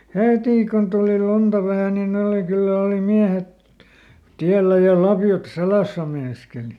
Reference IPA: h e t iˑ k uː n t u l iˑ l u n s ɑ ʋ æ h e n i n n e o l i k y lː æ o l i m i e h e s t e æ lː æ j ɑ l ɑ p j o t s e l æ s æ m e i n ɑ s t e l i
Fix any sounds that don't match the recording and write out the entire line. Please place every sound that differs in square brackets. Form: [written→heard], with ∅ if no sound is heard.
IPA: h e t iˑ k [uː→u] n t u l iˑ l u n [s→t] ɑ ʋ æ h [e→æ] n i n n e o l i k y lː æ o l i m i [e→æ] h e [s→t] t [e→i] æ lː æ j ɑ l ɑ p j o t s e l æ s æ m e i n ɑ s [t→k] e l i